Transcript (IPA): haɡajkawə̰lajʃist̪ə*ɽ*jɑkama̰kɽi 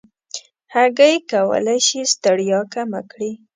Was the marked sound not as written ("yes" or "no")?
no